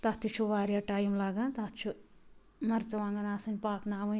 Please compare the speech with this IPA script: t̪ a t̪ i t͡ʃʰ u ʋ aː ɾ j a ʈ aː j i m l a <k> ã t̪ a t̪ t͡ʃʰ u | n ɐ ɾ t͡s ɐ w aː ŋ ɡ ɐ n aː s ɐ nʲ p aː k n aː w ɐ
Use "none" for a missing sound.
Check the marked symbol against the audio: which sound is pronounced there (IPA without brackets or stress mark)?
ɡ